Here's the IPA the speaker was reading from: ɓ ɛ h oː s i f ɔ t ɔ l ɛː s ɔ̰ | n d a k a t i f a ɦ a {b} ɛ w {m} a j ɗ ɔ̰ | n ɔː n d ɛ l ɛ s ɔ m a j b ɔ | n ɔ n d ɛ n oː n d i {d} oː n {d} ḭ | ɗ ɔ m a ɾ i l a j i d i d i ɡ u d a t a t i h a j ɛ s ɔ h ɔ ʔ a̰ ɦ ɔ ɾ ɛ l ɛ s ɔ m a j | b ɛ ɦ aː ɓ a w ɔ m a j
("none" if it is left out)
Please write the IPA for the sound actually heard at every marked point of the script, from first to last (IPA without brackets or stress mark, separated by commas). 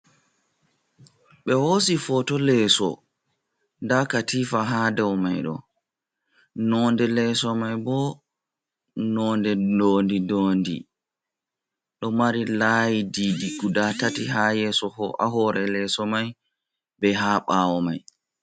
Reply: d, m, d, d